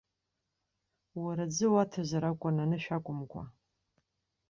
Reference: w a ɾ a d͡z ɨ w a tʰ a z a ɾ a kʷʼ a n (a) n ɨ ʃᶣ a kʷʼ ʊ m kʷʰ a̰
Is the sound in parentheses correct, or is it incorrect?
correct